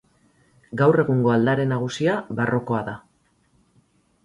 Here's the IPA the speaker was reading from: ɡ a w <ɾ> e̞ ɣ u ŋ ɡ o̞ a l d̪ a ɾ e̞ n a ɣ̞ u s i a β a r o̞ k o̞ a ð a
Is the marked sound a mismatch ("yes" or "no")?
yes